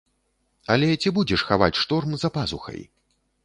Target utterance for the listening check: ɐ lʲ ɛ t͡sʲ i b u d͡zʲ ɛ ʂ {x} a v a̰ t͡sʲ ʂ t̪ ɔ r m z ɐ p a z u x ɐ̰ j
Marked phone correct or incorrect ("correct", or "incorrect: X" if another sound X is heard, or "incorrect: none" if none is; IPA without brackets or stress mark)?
correct